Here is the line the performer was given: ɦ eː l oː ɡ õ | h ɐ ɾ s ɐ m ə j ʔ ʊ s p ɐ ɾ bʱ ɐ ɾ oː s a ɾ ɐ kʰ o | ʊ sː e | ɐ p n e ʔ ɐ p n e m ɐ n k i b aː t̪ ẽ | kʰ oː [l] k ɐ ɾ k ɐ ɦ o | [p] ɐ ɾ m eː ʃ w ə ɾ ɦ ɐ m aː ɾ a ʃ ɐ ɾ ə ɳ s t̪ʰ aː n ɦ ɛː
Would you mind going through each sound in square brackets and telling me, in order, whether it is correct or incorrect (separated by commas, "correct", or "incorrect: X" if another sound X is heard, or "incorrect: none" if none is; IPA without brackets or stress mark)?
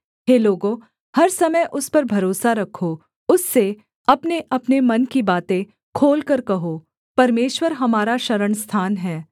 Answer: correct, correct